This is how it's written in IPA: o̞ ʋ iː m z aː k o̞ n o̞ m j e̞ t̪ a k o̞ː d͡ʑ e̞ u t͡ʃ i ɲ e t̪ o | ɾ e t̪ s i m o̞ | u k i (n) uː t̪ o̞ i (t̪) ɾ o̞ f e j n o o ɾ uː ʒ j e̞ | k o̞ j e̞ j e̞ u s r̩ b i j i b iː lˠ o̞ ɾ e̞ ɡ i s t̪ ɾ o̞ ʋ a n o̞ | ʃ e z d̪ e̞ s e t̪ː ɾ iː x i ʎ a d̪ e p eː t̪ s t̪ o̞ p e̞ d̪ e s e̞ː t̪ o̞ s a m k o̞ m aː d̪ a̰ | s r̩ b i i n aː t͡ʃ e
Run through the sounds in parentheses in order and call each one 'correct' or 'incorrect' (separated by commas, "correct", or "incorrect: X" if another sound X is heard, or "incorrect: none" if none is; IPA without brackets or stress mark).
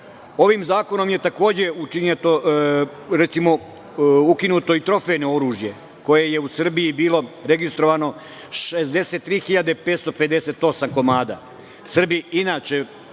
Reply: correct, correct